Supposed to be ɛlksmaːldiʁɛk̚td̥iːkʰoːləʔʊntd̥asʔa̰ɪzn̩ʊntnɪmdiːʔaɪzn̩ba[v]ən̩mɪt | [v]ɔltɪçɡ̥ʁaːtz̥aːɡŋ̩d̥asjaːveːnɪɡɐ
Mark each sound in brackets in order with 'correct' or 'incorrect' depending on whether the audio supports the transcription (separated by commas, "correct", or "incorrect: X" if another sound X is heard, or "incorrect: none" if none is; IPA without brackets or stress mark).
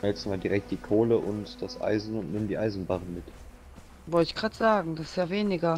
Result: incorrect: ʁ, correct